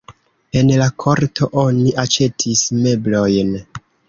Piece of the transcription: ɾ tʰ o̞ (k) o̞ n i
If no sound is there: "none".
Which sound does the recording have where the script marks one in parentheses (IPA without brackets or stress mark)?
ʔ